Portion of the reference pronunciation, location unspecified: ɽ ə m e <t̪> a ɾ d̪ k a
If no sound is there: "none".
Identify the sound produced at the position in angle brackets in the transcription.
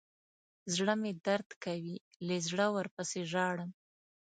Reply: d̪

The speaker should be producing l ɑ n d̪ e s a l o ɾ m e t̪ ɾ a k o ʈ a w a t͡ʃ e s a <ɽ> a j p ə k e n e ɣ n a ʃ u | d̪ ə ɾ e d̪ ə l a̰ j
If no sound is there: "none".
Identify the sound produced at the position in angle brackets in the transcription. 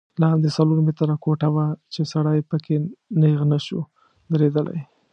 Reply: ɽ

